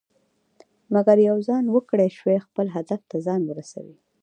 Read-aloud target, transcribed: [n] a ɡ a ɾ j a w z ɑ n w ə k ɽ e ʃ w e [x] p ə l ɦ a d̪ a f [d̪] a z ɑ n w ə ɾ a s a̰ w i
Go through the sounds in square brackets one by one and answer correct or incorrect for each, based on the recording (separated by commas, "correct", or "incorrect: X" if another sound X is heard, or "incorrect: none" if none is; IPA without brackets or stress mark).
incorrect: m, correct, incorrect: t̪